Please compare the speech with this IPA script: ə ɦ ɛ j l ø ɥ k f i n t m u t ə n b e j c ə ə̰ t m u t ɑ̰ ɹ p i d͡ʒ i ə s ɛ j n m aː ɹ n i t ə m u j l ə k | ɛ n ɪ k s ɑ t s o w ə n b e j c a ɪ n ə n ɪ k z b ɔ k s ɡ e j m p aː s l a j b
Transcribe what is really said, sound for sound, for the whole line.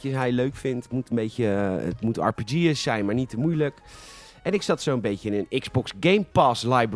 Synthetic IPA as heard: ə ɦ ɛ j l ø ɥ k f ɪ n t m u t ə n b e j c ə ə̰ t m u t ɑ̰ ɹ p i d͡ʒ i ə s ɛ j n m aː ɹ n i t ə m u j l ə k | ɛ n ɪ k s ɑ t s o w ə n b e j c ə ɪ n ə n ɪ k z b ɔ k s ɡ e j m p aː s l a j b